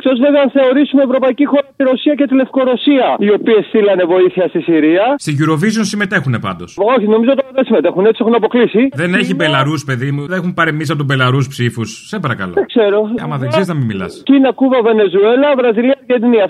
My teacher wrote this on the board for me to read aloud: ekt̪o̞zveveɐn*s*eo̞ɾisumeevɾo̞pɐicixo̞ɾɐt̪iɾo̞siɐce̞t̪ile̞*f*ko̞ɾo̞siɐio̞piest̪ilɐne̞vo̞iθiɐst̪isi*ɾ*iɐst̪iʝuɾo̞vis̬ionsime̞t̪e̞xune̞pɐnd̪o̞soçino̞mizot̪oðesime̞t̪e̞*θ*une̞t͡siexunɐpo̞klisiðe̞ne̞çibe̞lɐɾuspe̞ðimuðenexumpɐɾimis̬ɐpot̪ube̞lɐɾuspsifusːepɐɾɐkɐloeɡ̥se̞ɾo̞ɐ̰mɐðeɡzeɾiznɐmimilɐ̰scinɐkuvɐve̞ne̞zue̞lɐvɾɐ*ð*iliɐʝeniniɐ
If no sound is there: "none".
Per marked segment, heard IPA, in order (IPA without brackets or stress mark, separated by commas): θ, f, ɾ, x, z